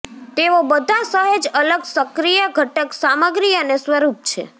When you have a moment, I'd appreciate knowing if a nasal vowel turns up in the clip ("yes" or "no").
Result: no